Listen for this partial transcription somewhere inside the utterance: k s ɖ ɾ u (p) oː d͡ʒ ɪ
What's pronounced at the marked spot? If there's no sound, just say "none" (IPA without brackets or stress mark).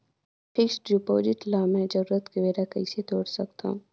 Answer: p